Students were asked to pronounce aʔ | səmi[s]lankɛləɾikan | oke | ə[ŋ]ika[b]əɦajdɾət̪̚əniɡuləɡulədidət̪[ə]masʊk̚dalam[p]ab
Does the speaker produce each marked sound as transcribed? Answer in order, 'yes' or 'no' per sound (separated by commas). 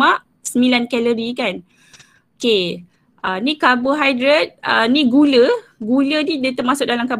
no, no, yes, yes, no